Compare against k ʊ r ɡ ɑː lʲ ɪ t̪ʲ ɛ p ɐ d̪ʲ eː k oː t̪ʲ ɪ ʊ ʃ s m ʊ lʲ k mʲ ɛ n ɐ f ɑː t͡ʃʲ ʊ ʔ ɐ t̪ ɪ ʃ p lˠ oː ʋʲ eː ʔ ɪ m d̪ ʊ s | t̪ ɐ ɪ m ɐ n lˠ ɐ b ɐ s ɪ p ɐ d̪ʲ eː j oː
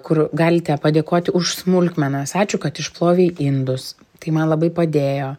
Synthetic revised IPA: k ʊ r ɡ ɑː lʲ ɪ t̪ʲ ɛ p ɐ d̪ʲ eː k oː t̪ʲ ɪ ʊ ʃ s m ʊ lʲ k mʲ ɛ n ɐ s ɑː t͡ʃʲ ʊ k ɐ t̪ ɪ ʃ p lˠ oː ʋʲ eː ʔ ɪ n d̪ ʊ s | t̪ ɐ ɪ m ɐ n lˠ ɐ b ɐ ɪ p ɐ d̪ʲ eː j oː